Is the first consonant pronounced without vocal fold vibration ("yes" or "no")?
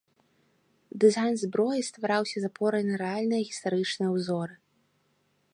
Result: no